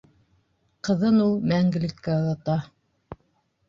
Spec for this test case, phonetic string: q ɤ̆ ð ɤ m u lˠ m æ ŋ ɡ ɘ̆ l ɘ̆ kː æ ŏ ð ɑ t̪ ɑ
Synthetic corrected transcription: q ɤ̆ ð ɤ n u lˠ m æ ŋ ɡ ɘ̆ l ɘ̆ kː æ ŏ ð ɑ t̪ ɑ